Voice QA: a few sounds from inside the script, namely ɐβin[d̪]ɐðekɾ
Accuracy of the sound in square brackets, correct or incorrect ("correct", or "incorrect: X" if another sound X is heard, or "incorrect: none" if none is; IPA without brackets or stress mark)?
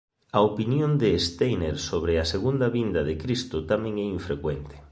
correct